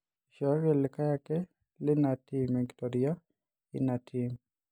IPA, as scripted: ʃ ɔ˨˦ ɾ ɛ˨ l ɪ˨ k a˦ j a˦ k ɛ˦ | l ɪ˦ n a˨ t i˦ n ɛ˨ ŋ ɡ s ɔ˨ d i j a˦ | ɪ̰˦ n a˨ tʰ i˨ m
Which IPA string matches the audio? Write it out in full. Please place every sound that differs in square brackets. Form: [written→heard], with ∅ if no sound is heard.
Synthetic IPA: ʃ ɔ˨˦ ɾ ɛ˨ l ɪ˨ k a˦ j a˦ k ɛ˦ | l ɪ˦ n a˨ t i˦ [n→m] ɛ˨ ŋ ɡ [s→t] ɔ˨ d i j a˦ | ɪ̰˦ n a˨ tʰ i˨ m